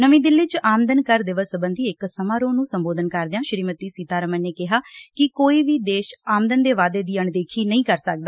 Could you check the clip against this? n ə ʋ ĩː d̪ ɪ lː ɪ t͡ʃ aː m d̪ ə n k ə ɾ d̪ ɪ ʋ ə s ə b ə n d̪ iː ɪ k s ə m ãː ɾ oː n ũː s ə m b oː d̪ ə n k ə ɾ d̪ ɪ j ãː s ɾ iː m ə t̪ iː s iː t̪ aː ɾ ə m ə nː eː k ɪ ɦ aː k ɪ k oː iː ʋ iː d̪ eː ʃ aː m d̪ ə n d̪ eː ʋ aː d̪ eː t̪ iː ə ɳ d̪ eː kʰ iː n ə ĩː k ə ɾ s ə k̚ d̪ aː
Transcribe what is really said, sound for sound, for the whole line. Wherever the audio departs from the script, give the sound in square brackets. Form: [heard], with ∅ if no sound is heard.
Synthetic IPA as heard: n ə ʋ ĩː d̪ ɪ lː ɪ t͡ʃ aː m d̪ ə n k ə ɾ d̪ ɪ ʋ ə s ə b ə n d̪ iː ɪ k s ə m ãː ɾ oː n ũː s ə m b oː d̪ ə n k ə ɾ d̪ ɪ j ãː [ʃ] ɾ iː m ə t̪ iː s iː t̪ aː ɾ ə m ə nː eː k ɪ ɦ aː k ɪ k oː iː ʋ iː d̪ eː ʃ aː m d̪ ə n d̪ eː ʋ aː d̪ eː [d̪] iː ə ɳ d̪ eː kʰ iː n ə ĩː k ə ɾ s ə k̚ d̪ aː